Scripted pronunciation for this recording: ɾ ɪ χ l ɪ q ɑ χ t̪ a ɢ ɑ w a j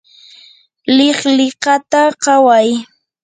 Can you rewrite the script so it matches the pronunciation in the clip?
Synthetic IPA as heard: l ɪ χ l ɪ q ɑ t̪ a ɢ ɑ w a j